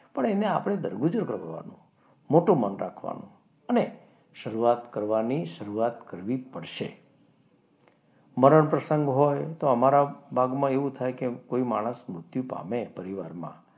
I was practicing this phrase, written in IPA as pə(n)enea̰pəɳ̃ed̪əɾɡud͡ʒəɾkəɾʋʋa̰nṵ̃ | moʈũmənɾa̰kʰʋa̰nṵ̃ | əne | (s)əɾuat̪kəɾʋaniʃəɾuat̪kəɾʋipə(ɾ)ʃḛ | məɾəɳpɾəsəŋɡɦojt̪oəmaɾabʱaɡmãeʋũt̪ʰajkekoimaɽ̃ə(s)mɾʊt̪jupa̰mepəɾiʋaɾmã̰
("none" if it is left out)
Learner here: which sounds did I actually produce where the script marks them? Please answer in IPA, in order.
ɳ, ʃ, ɽ, s

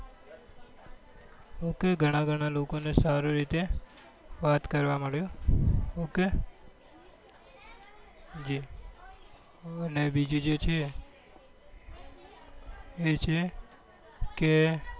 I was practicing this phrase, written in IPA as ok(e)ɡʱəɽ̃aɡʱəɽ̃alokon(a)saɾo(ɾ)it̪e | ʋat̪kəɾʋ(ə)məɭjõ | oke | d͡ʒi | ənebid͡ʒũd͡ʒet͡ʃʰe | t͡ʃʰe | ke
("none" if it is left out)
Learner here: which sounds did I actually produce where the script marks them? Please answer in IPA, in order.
e, e, ɾ, a

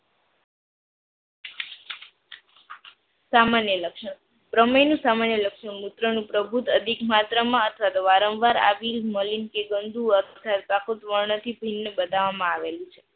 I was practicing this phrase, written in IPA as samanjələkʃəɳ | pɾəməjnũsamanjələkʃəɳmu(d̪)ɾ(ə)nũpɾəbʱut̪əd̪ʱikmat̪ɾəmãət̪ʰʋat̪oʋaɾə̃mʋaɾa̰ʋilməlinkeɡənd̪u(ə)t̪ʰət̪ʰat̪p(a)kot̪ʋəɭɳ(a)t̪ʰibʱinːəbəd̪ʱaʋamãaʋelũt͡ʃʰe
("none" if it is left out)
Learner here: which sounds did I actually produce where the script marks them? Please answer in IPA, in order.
t̪, ə, ə, a, ə

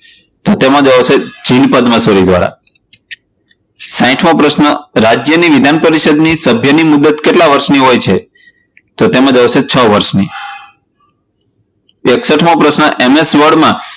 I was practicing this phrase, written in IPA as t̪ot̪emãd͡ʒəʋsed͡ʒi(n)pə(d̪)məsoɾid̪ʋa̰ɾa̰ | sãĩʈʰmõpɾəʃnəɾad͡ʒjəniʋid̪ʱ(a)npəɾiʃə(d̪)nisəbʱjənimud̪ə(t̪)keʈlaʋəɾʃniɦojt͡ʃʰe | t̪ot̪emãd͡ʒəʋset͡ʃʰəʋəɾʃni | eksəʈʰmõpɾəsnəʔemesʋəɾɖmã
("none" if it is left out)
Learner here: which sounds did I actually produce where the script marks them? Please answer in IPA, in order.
n, d̪, a, d̪, t̪

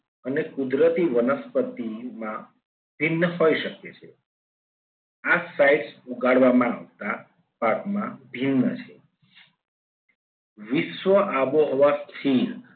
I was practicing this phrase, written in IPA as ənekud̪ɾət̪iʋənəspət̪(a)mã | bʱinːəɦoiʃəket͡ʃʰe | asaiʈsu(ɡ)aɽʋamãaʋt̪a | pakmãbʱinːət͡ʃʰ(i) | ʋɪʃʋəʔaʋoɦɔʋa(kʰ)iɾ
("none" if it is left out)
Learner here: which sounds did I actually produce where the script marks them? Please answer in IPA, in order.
i, ɡ, e, kʰ

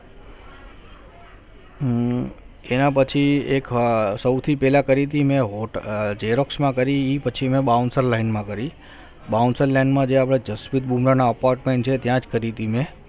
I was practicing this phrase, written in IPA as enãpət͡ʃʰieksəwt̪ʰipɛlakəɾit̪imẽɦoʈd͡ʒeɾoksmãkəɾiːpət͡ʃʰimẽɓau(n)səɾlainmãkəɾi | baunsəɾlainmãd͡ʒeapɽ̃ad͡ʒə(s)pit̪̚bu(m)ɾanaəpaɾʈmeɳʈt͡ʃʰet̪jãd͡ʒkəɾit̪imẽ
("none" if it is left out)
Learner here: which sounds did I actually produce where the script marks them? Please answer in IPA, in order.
n, s, m

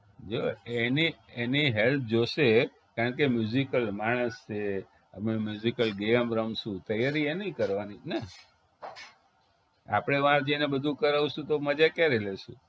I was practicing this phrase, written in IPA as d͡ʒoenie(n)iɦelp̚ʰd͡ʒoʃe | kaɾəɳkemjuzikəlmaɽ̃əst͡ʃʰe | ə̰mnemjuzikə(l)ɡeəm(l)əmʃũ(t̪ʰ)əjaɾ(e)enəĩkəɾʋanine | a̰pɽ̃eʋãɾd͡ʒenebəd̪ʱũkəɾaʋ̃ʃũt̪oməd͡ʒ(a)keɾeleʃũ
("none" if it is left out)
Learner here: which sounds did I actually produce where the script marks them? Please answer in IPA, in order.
n, l, ɾ, t̪, i, a

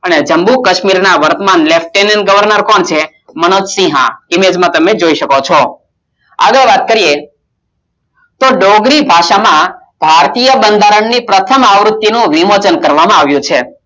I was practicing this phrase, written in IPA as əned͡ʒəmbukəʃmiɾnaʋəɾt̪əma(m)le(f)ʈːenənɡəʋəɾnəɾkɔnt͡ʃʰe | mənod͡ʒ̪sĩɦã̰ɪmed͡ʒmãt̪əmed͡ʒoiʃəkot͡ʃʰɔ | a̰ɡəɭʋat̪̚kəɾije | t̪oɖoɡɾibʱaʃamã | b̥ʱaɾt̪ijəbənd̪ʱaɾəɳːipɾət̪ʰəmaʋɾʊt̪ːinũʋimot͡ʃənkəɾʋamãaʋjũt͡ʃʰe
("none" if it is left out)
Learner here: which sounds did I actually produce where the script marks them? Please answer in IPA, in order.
n, f

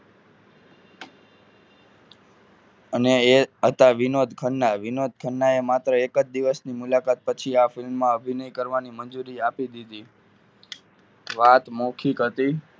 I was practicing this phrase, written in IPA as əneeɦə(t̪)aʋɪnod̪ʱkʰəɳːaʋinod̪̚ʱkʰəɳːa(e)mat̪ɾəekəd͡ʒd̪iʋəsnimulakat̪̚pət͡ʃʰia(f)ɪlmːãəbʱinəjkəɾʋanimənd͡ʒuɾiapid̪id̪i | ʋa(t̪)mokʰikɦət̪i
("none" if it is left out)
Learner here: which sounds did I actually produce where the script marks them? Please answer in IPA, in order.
t̪, e, f, t̪

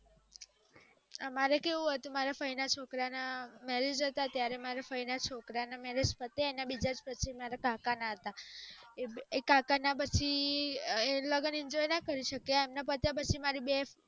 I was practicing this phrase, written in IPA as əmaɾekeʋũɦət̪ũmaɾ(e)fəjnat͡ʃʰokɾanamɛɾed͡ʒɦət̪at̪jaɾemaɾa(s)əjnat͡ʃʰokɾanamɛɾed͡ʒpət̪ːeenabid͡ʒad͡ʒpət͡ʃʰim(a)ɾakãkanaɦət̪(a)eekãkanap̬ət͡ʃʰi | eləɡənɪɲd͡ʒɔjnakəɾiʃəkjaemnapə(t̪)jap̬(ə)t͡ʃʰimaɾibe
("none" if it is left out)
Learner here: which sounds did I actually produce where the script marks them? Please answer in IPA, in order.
a, f, a, a, t̪, ə

